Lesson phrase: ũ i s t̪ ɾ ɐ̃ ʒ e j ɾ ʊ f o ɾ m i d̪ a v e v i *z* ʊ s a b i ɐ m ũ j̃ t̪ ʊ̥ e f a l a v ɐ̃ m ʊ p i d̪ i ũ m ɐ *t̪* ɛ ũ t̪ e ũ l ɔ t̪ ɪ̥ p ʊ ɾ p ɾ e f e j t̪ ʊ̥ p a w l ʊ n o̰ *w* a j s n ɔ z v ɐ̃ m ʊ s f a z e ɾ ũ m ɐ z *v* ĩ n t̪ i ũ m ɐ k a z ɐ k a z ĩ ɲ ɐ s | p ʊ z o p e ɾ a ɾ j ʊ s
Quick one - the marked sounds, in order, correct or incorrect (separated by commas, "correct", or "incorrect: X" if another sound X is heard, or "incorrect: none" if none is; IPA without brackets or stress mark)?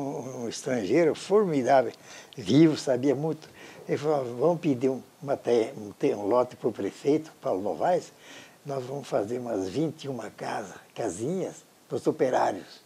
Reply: incorrect: v, correct, incorrect: v, correct